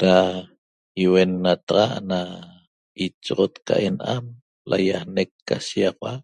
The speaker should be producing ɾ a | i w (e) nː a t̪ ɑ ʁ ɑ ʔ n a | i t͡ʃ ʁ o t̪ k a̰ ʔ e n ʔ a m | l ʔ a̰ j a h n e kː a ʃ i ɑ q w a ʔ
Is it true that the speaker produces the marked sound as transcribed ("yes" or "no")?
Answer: yes